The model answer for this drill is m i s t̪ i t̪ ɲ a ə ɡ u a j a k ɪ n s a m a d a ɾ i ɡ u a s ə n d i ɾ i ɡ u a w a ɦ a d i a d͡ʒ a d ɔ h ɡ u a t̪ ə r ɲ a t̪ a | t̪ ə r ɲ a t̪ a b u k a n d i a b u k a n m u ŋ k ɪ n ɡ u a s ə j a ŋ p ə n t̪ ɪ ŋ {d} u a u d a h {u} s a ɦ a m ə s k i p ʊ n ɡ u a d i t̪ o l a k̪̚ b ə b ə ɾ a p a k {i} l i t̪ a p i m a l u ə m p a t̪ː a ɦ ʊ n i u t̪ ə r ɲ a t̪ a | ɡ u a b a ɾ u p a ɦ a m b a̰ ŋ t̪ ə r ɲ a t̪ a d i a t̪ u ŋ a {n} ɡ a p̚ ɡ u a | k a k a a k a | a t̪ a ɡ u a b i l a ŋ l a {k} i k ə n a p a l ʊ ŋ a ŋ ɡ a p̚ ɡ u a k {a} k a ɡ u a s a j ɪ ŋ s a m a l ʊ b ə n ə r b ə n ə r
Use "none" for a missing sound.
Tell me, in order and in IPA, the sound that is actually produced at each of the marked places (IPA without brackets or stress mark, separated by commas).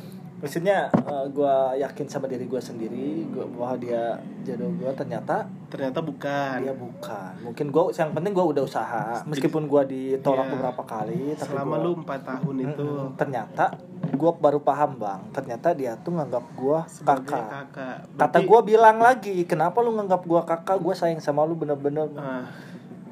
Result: ɡ, u, a, ŋ, ɡ, a